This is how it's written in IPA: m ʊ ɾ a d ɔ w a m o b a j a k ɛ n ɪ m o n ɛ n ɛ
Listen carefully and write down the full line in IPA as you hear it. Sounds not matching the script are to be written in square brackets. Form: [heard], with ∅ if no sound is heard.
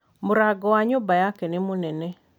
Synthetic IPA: m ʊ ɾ a [ɡ] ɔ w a [ɲ] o b a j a k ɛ n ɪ m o n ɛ n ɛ